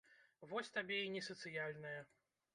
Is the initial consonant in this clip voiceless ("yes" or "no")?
no